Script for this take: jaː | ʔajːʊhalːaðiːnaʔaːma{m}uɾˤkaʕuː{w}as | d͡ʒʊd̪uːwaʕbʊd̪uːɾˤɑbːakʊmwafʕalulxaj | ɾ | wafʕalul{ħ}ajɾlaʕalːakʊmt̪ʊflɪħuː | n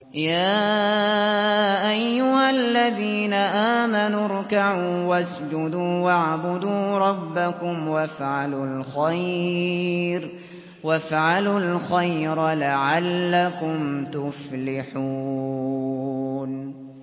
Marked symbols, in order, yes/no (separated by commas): no, yes, no